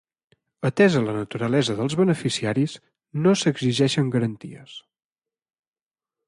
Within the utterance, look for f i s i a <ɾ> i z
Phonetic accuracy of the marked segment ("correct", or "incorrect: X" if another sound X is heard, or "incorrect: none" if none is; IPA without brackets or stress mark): correct